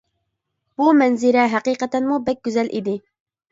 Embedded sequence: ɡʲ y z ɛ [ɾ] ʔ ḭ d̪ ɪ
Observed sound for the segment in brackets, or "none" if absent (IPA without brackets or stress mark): l